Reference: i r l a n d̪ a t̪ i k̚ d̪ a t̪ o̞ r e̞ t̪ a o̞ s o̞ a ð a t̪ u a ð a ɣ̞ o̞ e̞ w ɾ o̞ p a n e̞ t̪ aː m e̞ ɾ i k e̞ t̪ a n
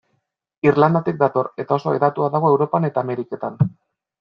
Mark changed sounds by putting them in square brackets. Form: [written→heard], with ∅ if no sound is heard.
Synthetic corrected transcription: i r l a n d̪ a t̪ i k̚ d̪ a t̪ o̞ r e̞ t̪ a o̞ s o̞ [a→e] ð a t̪ u a ð a ɣ̞ o̞ e̞ w ɾ o̞ p a n e̞ t̪ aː m e̞ ɾ i k e̞ t̪ a n